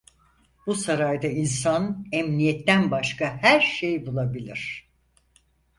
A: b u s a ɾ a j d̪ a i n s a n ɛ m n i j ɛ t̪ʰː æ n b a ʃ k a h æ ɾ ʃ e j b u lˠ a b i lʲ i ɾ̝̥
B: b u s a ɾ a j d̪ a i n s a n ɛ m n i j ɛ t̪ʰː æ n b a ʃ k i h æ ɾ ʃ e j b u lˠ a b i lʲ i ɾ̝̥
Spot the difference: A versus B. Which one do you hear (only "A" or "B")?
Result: A